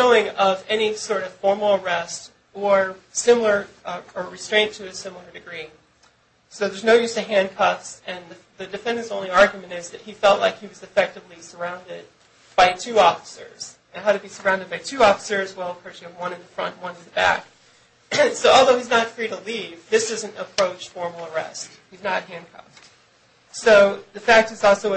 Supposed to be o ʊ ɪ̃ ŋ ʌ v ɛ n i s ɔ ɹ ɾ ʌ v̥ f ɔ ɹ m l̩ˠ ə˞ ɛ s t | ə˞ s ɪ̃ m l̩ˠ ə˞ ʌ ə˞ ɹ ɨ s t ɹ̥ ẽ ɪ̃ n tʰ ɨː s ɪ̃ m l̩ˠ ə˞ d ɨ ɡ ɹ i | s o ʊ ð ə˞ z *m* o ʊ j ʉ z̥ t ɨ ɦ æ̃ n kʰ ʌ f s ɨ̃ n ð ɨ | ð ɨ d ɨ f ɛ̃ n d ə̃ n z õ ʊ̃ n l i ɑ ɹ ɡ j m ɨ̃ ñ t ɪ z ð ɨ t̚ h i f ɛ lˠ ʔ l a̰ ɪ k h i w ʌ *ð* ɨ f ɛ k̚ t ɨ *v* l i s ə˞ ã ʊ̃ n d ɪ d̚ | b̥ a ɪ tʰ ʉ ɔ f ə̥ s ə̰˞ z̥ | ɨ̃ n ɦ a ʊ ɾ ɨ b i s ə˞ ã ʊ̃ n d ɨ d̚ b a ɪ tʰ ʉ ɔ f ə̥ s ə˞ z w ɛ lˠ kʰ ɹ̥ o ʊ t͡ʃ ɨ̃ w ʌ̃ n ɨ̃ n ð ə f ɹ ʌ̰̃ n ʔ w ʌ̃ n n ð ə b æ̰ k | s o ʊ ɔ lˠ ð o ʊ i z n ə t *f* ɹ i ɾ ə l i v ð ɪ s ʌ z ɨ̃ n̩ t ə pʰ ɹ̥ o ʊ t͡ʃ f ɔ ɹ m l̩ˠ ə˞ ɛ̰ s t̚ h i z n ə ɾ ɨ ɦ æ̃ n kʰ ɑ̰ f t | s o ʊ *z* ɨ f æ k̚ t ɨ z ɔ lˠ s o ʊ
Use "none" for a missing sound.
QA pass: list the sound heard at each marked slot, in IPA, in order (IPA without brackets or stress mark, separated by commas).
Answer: n, z, v, f, ð